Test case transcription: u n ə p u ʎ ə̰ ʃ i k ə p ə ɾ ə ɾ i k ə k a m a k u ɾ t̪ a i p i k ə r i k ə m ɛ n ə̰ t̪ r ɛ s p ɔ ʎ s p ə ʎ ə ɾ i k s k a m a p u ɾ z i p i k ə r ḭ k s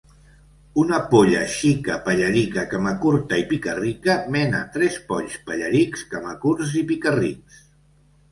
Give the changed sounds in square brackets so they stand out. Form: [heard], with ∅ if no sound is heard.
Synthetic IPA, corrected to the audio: u n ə p [o] ʎ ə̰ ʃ i k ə p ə [ʎ] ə ɾ i k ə k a m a k u ɾ t̪ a i p i k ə r i k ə m ɛ n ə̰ t̪ [ɾ] ɛ s p ɔ ʎ s p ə ʎ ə ɾ i k s k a m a [k] u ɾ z i p i k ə r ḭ k s